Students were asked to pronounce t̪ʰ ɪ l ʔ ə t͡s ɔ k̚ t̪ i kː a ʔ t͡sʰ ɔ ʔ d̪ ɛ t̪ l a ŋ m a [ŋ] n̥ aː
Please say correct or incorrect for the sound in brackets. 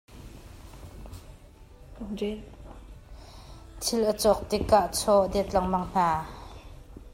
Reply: correct